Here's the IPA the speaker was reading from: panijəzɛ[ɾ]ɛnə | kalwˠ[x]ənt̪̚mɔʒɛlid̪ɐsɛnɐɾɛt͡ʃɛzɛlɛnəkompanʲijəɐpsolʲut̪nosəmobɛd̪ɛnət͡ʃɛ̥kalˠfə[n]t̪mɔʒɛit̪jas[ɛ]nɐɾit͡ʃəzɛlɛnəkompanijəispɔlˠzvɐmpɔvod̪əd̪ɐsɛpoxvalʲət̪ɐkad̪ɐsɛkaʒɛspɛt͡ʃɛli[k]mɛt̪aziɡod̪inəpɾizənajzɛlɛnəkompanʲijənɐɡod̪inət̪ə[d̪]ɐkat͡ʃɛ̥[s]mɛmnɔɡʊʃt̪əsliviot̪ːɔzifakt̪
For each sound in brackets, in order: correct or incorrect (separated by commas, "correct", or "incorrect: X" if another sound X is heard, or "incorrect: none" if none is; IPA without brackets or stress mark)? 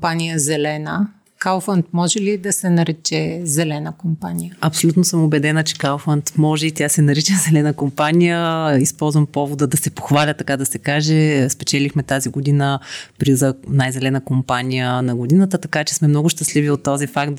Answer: incorrect: l, incorrect: f, correct, correct, incorrect: x, incorrect: t̪, correct